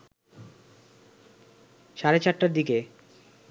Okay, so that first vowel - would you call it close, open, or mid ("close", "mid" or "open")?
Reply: open